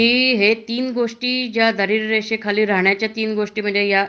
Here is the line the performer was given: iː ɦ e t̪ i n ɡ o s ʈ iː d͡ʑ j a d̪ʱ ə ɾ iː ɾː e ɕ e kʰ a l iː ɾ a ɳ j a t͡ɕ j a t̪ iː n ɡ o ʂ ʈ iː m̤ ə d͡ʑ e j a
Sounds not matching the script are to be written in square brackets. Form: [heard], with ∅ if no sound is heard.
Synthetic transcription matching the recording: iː ɦ e t̪ [iː] n ɡ o [ʂ] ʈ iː d͡ʑ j a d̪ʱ ə ɾ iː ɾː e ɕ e kʰ a l iː ɾ a ɳ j a t͡ɕ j a t̪ iː n ɡ o ʂ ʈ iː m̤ ə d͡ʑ e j a

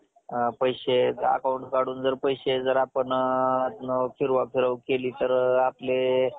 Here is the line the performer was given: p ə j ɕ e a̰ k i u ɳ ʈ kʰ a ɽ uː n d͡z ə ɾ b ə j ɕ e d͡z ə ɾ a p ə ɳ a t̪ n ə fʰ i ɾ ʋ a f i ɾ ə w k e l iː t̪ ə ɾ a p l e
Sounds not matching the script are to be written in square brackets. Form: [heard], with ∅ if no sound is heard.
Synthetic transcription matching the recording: p ə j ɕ e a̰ k [a] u ɳ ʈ [k] a ɽ uː n d͡z ə ɾ [p] ə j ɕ e d͡z ə ɾ a p ə ɳ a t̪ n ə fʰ i ɾ ʋ a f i ɾ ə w k e l iː t̪ ə ɾ a p l e

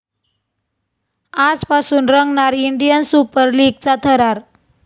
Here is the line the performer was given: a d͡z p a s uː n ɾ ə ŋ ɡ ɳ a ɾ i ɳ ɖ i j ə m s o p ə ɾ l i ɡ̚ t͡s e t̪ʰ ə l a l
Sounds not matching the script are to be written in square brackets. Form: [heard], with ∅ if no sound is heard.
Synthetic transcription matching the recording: a d͡z p a s uː n ɾ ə ŋ ɡ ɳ a ɾ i ɳ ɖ i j ə [n] s [u] p ə ɾ l i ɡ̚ t͡s [a] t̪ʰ ə [ɾ] a [ɾ]

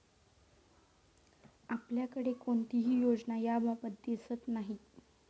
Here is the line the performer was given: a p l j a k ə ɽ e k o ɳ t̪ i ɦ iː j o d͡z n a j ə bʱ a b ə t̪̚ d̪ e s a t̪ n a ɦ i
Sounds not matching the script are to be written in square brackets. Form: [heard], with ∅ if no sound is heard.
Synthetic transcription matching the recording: a p l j a k ə ɽ e k o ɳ t̪ i ɦ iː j o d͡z n a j [a] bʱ a b ə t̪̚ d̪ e s [ə] t̪ n a ɦ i

